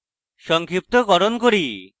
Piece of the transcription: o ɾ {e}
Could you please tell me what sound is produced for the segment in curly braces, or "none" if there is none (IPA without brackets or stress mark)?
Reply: i